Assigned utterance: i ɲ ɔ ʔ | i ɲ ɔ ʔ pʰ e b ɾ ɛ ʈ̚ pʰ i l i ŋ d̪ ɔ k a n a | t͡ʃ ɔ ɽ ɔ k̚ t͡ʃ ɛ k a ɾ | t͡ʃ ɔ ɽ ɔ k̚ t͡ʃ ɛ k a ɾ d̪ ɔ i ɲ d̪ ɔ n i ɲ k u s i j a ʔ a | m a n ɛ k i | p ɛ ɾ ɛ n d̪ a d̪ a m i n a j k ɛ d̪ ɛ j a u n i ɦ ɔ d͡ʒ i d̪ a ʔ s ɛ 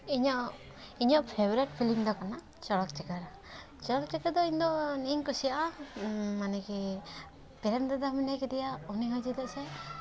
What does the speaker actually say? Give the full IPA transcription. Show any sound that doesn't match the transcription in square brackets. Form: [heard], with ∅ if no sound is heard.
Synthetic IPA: i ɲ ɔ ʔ | i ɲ ɔ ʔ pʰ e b ɾ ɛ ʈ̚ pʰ i l i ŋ d̪ ɔ k a n a | t͡ʃ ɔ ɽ ɔ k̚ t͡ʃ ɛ k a ɾ | t͡ʃ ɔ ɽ ɔ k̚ t͡ʃ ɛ k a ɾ d̪ ɔ i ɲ d̪ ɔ n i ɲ k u s i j a ʔ a | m a n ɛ k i | p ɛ ɾ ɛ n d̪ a d̪ a m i n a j k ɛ d̪ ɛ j a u n i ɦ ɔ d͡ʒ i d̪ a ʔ s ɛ